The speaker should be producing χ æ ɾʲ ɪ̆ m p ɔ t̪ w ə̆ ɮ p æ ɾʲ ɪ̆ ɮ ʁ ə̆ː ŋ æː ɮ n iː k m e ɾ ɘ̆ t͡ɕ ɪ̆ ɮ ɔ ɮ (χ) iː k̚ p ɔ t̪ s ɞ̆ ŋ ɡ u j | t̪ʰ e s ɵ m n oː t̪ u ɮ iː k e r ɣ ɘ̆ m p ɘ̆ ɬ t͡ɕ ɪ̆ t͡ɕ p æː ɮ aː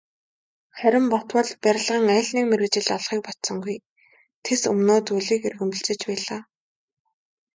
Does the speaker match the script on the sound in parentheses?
yes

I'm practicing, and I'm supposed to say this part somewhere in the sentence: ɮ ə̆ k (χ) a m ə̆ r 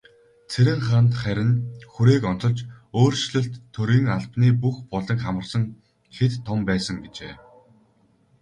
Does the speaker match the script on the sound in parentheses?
yes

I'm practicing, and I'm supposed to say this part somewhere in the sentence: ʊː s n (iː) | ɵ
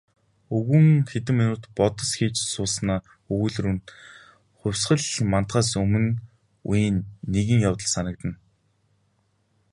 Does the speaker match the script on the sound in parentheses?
no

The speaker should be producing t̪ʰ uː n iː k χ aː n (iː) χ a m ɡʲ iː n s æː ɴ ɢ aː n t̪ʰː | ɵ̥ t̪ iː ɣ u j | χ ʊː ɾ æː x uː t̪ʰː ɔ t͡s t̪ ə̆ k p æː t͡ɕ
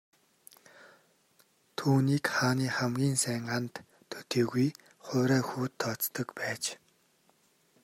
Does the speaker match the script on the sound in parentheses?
yes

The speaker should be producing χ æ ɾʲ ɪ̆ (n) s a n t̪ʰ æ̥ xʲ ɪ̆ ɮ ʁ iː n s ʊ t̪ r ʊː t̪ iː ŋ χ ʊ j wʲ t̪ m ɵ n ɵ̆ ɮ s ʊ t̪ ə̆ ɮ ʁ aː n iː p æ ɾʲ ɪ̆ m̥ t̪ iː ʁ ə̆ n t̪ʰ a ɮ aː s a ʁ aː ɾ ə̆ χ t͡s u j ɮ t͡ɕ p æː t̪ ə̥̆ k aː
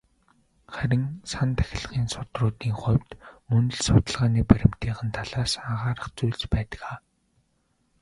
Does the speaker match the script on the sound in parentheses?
no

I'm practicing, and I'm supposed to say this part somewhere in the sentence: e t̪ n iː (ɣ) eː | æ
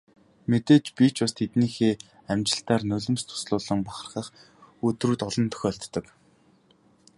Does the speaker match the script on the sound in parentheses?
no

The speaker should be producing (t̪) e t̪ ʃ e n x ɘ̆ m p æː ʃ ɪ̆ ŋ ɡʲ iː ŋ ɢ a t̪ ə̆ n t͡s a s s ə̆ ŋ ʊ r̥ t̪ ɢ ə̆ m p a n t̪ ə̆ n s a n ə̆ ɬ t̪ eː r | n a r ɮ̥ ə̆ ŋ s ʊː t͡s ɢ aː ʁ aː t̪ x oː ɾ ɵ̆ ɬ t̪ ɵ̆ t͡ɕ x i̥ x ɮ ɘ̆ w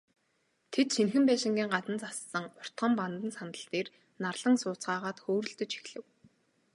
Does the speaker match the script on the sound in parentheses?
no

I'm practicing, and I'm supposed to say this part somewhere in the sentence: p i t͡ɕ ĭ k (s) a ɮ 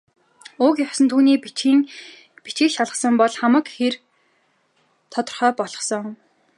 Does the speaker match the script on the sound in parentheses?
no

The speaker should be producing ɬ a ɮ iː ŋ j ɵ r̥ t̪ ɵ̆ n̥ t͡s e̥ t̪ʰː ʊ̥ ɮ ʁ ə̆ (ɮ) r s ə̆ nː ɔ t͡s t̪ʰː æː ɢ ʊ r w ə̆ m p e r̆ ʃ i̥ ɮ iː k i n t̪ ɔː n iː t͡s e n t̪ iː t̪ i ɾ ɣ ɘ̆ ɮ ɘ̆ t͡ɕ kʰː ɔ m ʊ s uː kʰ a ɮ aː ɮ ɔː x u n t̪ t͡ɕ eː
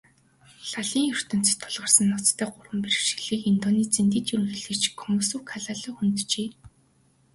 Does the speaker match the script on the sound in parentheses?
no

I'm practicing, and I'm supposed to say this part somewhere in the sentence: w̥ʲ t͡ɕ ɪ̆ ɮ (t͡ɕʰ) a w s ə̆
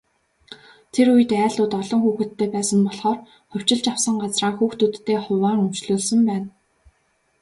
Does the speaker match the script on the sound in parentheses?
no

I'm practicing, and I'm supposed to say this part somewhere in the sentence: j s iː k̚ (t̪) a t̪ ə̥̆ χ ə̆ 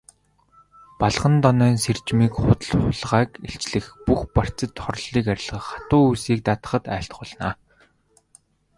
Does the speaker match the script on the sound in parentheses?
yes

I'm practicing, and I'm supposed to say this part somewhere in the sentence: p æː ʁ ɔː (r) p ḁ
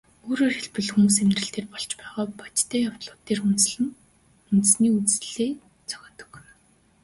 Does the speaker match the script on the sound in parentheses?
no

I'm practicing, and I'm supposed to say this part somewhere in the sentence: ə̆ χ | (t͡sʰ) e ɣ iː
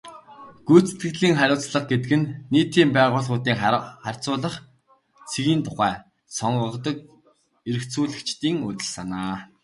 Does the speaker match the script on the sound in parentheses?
yes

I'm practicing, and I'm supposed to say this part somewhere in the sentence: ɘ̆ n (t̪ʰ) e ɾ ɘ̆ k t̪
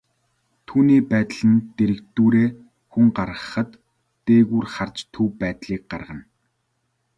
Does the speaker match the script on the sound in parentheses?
no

